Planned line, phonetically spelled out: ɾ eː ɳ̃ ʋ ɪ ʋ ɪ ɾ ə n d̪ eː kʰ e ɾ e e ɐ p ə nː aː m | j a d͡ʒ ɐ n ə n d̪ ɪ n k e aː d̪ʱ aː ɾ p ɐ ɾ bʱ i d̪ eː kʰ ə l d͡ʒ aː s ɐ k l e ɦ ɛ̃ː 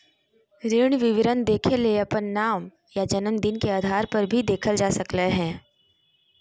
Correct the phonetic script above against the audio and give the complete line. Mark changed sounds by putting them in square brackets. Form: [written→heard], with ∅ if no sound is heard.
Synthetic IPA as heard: ɾ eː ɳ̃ ʋ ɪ ʋ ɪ ɾ ə n d̪ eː kʰ e [ɾ→l] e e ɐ p ə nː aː m | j a d͡ʒ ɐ n ə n d̪ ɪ n k e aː d̪ʱ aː ɾ p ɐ ɾ bʱ i d̪ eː kʰ ə l d͡ʒ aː s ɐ k l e ɦ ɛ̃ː